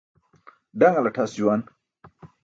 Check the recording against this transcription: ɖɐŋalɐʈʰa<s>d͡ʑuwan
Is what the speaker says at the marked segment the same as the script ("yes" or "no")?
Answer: yes